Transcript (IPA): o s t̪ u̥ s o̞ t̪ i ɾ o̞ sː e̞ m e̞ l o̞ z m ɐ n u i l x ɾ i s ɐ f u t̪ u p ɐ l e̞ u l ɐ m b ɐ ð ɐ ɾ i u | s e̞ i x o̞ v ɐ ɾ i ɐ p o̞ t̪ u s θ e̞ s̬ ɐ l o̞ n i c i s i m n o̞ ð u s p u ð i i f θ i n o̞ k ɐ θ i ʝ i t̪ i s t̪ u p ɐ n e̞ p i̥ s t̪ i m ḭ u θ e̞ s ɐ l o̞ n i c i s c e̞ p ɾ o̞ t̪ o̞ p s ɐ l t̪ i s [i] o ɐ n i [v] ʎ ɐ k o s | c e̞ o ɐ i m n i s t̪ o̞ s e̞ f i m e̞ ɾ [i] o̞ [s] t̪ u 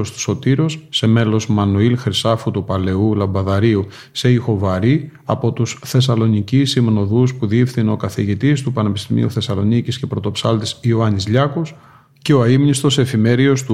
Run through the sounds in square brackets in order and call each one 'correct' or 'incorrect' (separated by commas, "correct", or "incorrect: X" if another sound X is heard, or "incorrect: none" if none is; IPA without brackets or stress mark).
correct, incorrect: z, correct, correct